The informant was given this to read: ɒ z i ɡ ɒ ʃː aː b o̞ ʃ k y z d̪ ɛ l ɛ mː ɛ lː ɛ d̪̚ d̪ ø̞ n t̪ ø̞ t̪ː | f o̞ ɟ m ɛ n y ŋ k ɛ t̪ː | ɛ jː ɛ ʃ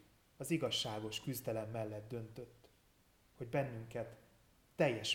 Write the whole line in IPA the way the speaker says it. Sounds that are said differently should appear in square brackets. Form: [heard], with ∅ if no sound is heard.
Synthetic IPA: ɒ z i ɡ ɒ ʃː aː [ɡ] o̞ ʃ k y z d̪ ɛ l ɛ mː ɛ lː ɛ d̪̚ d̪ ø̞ n t̪ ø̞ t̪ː | [h] o̞ ɟ [b] ɛ [nː] y ŋ k ɛ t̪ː | ɛ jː ɛ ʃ